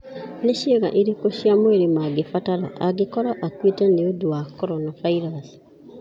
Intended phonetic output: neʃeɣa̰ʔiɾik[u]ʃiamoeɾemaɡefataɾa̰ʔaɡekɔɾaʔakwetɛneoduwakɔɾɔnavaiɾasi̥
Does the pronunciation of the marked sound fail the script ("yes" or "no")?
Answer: yes